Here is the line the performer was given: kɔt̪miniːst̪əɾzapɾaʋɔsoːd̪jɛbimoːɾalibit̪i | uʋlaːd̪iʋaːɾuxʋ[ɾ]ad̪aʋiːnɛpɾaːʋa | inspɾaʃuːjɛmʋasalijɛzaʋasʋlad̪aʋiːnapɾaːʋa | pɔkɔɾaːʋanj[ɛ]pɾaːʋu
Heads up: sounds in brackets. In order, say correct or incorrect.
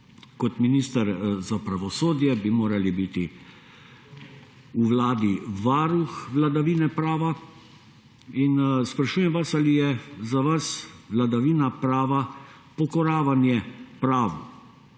incorrect: l, correct

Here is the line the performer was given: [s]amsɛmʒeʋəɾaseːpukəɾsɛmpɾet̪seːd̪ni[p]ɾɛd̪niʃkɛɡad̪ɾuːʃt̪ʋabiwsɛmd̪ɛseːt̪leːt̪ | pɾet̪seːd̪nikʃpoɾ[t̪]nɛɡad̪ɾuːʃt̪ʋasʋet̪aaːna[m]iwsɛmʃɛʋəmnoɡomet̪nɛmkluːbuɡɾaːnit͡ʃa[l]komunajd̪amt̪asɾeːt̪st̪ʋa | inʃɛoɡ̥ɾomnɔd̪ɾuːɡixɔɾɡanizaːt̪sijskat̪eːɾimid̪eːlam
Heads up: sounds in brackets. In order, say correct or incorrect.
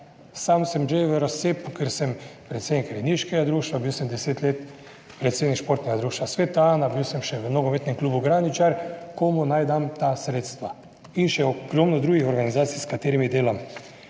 correct, incorrect: k, correct, incorrect: b, incorrect: ɾ

